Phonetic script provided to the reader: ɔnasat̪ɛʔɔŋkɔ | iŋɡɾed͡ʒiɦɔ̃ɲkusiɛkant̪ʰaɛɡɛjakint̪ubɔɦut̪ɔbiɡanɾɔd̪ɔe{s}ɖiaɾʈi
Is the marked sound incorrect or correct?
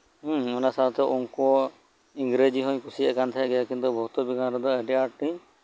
incorrect